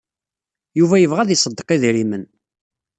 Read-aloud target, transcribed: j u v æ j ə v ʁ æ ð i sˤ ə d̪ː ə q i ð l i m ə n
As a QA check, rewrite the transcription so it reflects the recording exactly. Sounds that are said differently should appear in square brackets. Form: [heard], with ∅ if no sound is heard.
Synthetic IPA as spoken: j u v æ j ə v ʁ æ ð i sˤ ə d̪ː ə q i ð [ɾ] i m ə n